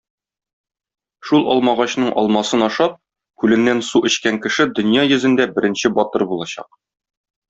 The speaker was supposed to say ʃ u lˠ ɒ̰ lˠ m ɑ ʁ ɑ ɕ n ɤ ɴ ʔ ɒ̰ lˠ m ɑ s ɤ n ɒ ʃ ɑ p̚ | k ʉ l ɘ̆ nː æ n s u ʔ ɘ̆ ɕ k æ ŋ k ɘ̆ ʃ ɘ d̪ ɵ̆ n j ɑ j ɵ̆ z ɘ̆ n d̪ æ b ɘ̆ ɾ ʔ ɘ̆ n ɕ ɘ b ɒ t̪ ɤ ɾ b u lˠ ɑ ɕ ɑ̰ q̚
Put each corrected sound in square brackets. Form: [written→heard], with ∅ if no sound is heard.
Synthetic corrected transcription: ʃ u lˠ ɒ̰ lˠ m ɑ ʁ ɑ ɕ n ɤ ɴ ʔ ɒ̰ lˠ m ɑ s ɤ n ɒ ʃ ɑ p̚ | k ʉ l ɘ̆ nː æ n s u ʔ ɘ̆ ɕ k æ ŋ k ɘ̆ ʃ ɘ d̪ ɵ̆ n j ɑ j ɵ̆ z ɘ̆ n d̪ æ b ɘ̆ ɾ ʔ ɘ̆ n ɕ ɘ b ɒ t̪ ɤ ɾ b u lˠ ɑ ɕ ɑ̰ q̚